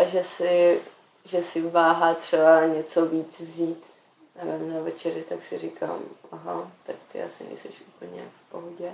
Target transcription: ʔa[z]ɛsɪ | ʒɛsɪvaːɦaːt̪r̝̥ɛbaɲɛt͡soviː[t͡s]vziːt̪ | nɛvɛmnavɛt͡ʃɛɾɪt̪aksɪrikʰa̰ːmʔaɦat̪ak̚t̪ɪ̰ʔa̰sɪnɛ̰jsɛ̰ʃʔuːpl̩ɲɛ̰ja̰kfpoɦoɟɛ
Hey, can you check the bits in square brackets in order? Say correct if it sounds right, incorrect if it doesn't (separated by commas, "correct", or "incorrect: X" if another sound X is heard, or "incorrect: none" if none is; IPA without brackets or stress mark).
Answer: incorrect: ʒ, correct